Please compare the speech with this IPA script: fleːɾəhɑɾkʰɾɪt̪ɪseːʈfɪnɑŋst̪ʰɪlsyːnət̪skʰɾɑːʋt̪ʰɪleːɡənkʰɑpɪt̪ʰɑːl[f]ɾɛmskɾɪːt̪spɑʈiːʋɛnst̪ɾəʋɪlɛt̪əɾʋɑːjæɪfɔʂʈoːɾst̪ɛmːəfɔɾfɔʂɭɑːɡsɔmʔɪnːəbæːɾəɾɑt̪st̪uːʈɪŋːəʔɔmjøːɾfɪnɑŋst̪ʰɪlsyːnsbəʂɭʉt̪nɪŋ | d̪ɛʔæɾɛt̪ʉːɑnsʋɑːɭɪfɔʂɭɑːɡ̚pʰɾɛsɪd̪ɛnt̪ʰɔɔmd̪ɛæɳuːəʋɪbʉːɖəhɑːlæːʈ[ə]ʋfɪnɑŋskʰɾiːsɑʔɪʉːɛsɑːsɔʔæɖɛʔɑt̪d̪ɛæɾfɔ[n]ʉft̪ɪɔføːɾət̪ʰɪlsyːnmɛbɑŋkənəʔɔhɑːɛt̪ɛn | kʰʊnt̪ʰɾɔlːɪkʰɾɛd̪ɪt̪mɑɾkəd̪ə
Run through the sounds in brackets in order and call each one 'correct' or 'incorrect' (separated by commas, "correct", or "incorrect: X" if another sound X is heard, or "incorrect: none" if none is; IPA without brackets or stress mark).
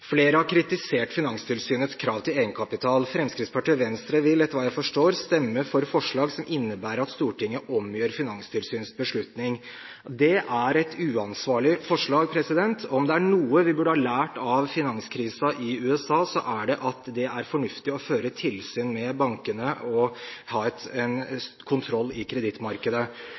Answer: correct, incorrect: ɑ, incorrect: ɳ